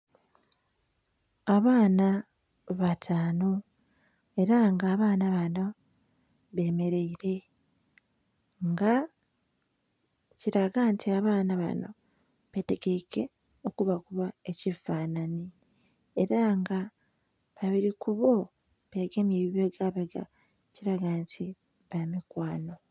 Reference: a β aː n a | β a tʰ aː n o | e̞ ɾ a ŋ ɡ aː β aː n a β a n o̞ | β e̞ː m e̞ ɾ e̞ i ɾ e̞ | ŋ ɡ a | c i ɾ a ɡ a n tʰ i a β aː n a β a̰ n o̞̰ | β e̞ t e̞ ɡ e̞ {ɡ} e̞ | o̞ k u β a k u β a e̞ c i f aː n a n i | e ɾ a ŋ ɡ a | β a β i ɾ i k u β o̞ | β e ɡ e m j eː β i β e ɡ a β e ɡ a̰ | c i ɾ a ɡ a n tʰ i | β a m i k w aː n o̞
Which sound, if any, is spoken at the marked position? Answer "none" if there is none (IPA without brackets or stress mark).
k